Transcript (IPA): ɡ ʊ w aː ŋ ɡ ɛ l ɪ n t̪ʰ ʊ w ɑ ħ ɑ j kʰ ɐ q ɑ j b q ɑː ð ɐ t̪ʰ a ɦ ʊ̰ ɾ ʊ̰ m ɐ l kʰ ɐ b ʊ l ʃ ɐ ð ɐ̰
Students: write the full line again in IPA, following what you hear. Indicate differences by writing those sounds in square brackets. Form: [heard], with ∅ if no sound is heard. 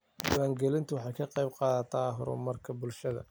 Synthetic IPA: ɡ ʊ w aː ŋ ɡ ɛ l ɪ n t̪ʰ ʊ w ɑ ħ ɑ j kʰ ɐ q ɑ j b q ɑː ð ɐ t̪ʰ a ɦ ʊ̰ ɾ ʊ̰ m ɐ [r] kʰ ɐ b ʊ l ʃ ɐ ð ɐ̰